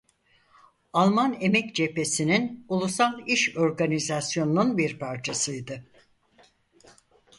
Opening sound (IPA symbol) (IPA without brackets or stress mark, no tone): a